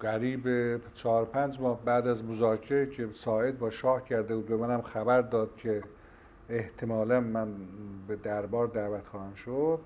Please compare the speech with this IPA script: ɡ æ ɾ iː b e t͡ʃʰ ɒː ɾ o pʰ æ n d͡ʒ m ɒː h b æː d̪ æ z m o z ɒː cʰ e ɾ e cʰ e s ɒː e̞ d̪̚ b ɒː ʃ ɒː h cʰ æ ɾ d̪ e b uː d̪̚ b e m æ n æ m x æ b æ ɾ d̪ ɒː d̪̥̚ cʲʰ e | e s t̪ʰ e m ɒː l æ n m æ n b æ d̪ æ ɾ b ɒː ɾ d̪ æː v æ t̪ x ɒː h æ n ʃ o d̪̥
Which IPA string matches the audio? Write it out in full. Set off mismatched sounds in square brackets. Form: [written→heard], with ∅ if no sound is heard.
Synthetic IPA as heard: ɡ æ ɾ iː b e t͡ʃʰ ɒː ɾ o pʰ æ n d͡ʒ m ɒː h b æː d̪ æ z m o z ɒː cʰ e ɾ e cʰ e s ɒː e̞ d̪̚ b ɒː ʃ ɒː h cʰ æ ɾ d̪ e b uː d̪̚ b e m æ n æ m x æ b æ ɾ d̪ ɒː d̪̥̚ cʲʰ e | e [s→h] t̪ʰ e m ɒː l æ n m æ n b [æ→e] d̪ æ ɾ b ɒː ɾ d̪ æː v æ t̪ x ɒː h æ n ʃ o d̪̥